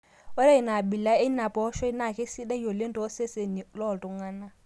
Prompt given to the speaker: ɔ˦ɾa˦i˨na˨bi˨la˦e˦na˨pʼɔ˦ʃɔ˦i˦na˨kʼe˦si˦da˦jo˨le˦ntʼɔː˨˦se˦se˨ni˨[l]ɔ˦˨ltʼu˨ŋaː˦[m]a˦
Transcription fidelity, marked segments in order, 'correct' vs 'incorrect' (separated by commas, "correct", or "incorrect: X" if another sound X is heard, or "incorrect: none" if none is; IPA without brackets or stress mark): correct, incorrect: n